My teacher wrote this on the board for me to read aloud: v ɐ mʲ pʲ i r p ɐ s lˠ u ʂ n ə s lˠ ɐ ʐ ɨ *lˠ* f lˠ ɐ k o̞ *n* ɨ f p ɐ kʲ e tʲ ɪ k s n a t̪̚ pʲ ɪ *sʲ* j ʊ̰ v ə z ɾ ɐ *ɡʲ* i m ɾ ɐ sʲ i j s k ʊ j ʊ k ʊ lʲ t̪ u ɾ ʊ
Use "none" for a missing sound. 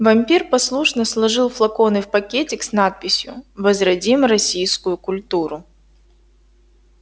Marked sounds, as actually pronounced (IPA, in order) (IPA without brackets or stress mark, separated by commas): lˠ, n, sʲ, dʲ